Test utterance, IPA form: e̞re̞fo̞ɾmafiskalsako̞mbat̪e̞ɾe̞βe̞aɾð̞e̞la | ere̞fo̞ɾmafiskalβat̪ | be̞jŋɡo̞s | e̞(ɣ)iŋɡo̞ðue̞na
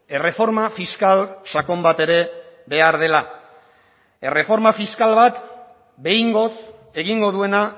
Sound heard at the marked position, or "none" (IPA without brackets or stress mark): ɣ